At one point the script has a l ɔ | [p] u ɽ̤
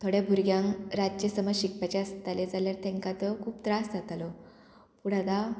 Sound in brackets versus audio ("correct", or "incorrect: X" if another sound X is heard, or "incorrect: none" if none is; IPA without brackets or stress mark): correct